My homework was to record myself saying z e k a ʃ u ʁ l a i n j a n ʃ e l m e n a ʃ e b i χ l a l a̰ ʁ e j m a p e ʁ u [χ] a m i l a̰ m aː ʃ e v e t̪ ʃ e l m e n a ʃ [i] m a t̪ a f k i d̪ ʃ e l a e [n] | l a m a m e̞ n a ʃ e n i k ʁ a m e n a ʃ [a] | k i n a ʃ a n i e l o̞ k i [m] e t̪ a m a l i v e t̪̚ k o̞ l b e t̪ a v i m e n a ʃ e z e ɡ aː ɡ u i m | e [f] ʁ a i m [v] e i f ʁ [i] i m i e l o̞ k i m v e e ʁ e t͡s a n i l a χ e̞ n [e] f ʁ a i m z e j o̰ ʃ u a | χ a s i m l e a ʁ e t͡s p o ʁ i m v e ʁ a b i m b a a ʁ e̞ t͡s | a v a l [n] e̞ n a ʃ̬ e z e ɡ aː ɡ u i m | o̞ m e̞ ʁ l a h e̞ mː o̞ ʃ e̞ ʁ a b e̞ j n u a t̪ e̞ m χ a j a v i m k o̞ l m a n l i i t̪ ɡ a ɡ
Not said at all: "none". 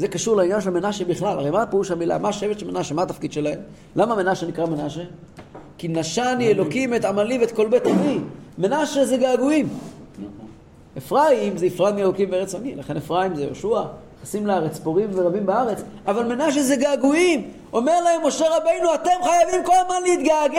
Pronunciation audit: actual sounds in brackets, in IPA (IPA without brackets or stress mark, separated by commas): ʃ, e, m, e, m, f, z, a, e, m